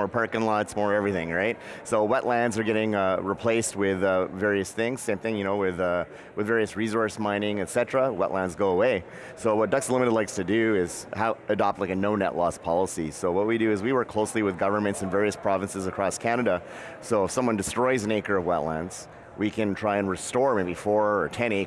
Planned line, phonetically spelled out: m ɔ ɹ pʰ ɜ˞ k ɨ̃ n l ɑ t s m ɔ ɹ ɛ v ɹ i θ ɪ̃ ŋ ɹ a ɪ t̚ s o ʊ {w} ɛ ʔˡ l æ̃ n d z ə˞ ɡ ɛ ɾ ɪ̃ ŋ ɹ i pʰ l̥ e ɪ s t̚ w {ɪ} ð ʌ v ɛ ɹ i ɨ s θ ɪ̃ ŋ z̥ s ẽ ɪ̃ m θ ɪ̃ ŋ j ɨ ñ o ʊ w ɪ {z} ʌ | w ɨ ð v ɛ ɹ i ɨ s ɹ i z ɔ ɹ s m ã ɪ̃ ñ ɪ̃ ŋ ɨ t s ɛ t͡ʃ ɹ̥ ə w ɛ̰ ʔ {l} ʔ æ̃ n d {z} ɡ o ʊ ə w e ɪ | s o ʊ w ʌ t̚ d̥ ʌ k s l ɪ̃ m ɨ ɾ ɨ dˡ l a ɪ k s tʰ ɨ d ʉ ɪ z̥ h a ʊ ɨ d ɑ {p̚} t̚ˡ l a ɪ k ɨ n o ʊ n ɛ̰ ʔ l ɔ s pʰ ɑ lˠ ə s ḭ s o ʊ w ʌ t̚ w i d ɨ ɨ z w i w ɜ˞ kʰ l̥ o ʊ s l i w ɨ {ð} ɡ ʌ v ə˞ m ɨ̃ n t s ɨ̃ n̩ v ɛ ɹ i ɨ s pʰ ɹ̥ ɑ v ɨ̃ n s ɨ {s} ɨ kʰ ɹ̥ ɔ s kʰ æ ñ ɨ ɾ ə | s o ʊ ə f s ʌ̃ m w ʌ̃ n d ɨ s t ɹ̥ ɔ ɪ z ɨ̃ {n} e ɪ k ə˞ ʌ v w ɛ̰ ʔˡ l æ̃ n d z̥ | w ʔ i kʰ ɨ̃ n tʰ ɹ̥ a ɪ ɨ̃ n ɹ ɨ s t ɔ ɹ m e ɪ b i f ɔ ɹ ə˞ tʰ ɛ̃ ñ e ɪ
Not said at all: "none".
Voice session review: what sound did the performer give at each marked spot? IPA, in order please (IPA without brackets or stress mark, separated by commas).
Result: w, ɪ, ð, l, z, p̚, ð, z, n